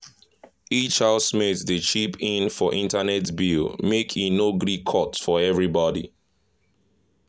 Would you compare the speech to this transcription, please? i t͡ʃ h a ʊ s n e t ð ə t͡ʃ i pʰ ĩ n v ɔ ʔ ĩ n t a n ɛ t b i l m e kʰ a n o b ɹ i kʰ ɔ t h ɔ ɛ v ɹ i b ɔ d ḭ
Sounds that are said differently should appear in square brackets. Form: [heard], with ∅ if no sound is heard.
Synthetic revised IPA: i t͡ʃ h a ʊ s [m] e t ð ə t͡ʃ i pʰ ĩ n [f] ɔ ʔ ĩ n t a n ɛ t b i l m e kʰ [i] n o [ɡ] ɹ i kʰ ɔ t [f] ɔ ɛ v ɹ i b ɔ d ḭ